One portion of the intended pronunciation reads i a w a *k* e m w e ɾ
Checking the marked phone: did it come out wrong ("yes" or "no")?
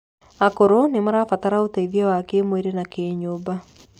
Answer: no